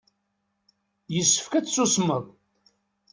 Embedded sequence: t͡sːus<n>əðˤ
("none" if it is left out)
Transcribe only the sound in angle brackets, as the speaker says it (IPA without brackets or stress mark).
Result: m